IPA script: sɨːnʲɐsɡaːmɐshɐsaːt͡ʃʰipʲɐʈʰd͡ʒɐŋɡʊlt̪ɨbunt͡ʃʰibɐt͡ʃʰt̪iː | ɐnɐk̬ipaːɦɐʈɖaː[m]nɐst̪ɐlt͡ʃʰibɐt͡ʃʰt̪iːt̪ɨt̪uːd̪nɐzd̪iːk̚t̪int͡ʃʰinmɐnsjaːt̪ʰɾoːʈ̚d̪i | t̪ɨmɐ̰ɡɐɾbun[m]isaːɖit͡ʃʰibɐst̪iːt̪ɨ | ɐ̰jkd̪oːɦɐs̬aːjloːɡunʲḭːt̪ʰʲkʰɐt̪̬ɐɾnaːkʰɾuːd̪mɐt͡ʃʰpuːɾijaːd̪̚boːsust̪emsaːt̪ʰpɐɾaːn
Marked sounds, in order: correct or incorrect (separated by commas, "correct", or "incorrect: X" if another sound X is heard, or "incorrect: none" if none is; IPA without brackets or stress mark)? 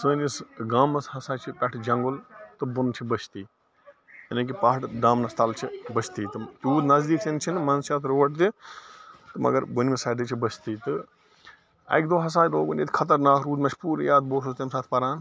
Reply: correct, correct